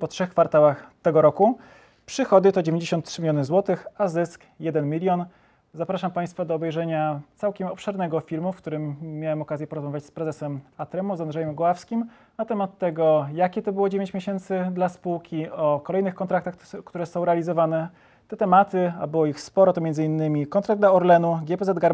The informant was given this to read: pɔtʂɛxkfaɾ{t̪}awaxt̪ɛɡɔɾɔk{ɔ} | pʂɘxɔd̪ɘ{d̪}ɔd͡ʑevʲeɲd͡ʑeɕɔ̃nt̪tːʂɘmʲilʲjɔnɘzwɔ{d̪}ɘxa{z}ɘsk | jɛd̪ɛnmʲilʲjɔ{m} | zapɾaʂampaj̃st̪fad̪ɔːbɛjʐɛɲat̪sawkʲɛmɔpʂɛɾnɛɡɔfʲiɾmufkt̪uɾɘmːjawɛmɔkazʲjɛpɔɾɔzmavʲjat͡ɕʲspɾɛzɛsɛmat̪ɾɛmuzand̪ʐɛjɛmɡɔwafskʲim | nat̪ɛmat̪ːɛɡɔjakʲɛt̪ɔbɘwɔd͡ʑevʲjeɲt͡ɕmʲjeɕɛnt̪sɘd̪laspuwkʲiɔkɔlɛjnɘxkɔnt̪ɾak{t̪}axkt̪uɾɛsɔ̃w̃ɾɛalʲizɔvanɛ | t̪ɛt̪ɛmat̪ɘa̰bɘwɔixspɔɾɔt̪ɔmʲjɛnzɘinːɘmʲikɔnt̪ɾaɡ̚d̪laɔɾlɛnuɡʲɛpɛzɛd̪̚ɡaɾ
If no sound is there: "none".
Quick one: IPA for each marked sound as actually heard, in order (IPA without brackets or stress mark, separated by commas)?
t̪, u, t̪, t̪, z, n, t̪